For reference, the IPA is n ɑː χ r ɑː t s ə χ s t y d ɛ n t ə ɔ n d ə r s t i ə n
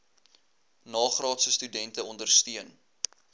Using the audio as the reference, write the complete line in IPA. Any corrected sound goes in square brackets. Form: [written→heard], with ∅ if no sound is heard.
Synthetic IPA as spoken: n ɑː χ r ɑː t s ə [χ→∅] s t y d ɛ n t ə ɔ n d ə r s t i ə n